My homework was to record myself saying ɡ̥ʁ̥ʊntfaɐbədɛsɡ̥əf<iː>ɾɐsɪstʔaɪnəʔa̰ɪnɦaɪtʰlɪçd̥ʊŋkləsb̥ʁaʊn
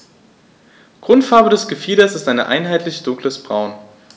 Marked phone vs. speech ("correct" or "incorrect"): correct